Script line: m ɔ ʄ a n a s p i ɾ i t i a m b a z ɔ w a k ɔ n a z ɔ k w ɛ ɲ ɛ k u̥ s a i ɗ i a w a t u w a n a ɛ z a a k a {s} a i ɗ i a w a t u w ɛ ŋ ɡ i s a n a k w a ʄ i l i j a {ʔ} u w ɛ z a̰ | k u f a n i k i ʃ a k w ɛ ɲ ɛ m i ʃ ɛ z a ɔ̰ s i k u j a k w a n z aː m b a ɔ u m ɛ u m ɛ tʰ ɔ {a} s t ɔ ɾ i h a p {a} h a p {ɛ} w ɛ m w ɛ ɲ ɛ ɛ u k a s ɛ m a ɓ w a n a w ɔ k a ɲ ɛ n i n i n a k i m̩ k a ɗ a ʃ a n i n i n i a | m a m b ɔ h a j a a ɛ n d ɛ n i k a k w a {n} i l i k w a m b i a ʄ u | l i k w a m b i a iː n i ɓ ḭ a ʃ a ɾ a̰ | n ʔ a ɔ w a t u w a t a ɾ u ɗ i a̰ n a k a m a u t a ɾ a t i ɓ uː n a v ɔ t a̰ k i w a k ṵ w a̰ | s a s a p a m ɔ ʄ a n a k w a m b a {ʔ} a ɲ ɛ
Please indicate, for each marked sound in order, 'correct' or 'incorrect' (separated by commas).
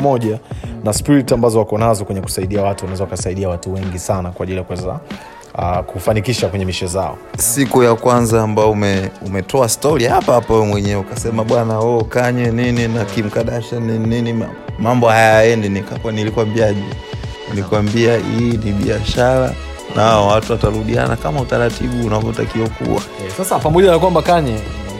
correct, incorrect, correct, correct, incorrect, correct, incorrect